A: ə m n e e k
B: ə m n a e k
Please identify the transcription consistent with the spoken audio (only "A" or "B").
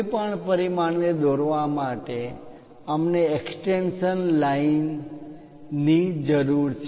A